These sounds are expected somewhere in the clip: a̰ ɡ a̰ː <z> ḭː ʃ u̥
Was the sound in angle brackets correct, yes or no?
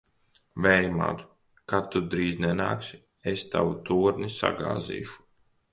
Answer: yes